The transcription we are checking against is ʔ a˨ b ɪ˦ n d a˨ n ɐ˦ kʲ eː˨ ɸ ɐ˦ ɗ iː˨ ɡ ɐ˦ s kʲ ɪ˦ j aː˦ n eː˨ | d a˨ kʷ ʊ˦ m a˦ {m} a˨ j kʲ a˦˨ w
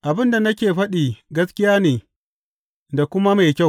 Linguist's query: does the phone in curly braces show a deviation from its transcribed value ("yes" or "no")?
no